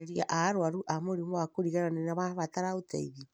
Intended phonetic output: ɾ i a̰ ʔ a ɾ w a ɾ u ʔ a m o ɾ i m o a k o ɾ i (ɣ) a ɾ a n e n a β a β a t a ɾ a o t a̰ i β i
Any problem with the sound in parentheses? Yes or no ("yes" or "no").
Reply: no